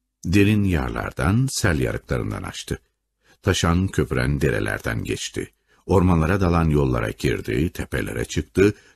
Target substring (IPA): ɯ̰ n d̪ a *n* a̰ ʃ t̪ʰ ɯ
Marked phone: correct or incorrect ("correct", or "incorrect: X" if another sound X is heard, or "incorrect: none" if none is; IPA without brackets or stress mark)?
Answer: correct